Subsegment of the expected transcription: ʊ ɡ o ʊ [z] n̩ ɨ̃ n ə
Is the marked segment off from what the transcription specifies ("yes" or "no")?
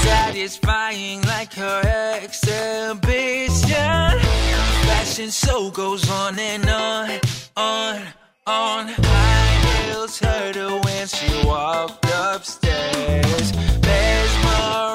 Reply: no